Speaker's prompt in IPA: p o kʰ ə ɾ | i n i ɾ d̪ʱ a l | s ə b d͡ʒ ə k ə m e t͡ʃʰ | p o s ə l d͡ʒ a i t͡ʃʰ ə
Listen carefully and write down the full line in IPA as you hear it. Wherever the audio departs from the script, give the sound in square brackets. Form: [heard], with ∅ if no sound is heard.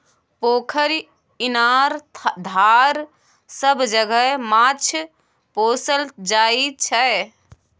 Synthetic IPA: p o kʰ ə ɾ | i n [a] ɾ d̪ʱ a [ɾ] | s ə b d͡ʒ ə [ɡ] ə m [a] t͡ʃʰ | p o s ə l d͡ʒ a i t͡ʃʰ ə